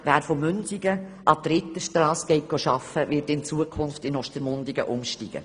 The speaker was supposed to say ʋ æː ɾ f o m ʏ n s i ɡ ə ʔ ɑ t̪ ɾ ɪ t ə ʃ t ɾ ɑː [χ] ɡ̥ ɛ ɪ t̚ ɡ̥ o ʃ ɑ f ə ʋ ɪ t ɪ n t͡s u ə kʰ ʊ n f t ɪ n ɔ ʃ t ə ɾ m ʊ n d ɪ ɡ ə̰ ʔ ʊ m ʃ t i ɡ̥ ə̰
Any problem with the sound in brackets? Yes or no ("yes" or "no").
yes